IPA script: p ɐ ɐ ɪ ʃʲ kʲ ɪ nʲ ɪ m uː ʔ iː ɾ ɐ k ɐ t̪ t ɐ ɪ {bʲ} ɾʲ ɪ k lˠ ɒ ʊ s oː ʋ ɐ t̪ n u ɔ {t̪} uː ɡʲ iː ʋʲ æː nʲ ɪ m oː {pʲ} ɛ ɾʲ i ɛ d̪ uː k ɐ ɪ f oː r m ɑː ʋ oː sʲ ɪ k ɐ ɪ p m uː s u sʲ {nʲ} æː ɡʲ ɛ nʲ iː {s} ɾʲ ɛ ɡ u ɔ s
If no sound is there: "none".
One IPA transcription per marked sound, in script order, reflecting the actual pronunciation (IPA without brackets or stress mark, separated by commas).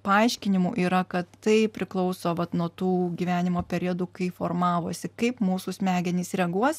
pʲ, t̪, pʲ, mʲ, s